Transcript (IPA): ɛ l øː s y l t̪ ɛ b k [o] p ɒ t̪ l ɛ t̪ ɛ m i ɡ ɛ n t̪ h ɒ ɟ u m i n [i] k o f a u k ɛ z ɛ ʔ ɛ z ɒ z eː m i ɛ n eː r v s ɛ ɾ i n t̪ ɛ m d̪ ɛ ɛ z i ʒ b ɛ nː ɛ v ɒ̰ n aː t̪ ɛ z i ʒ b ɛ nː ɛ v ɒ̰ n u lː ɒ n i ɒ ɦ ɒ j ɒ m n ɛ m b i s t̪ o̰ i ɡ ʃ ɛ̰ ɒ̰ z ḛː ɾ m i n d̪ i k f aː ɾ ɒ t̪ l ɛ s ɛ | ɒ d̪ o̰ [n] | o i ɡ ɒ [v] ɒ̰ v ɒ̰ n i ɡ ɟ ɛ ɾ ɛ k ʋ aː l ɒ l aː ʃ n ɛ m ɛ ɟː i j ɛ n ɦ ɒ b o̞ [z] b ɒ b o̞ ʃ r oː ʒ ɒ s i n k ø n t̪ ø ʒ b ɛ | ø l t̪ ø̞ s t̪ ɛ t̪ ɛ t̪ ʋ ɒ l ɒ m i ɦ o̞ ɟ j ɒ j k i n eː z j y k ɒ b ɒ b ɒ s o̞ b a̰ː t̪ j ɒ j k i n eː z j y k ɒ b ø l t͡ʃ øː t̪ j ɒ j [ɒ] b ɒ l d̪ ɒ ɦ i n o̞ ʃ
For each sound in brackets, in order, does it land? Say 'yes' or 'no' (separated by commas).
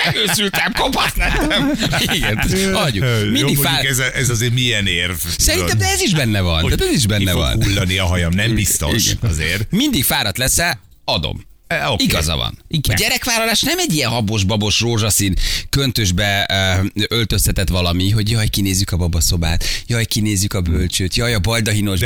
yes, yes, no, no, no, yes